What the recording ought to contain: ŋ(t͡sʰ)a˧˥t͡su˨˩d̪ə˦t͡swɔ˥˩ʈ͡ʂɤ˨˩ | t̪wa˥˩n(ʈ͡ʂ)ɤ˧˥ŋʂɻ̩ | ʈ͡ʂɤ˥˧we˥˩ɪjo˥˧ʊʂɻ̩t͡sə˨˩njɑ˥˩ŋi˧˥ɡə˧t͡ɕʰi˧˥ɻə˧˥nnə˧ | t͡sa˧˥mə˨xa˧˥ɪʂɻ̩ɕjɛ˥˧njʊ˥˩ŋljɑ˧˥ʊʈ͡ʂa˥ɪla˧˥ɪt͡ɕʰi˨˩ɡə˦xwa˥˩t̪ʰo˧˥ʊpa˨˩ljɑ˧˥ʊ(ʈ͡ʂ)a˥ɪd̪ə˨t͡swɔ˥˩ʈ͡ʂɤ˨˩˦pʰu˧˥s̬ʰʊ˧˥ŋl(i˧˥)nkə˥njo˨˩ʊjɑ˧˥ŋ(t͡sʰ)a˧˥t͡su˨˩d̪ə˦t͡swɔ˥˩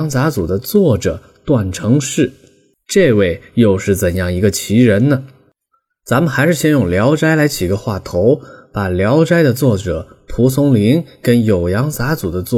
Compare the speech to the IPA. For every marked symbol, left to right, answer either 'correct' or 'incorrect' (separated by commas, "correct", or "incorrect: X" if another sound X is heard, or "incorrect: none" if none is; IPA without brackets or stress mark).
incorrect: t͡s, incorrect: ʈ͡ʂʰ, correct, correct, incorrect: t͡s